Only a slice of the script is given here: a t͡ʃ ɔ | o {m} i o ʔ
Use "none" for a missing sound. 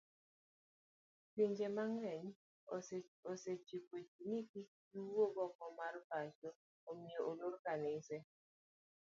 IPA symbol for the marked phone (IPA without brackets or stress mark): m